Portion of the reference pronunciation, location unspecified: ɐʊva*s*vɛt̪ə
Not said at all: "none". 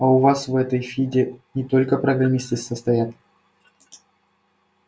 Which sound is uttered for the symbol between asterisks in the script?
s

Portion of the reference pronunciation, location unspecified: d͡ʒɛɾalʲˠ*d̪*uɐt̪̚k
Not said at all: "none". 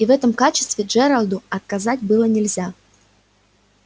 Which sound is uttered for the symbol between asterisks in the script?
d̪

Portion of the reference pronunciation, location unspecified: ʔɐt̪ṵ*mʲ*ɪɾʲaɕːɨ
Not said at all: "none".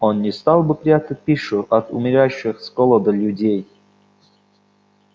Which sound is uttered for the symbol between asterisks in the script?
mʲ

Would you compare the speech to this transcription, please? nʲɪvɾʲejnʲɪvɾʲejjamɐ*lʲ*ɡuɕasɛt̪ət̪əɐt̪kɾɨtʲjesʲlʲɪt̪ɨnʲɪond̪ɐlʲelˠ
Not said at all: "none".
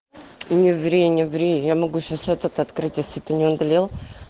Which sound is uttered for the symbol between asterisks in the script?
none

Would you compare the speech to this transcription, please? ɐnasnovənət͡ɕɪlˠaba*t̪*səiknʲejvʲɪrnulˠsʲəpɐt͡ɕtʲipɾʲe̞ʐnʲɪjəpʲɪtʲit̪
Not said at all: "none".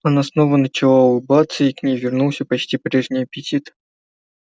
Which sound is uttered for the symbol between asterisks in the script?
t̪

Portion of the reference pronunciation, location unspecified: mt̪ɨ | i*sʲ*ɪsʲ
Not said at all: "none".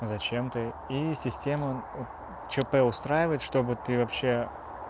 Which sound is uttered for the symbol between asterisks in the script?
sʲ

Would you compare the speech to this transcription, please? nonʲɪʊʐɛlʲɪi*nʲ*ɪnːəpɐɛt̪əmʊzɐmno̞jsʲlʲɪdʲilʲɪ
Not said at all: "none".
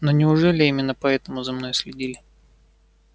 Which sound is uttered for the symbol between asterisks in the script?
mʲ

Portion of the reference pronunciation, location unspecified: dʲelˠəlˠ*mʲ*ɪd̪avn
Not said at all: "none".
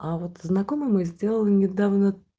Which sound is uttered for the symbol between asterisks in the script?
nʲ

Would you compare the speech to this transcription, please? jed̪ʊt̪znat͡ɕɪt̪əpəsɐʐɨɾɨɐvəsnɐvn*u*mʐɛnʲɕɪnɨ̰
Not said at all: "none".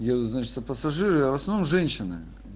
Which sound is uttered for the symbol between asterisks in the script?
o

